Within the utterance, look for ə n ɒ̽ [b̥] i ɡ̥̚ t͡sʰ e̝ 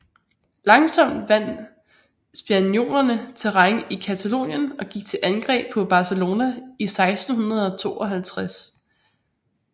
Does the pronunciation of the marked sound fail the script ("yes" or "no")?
yes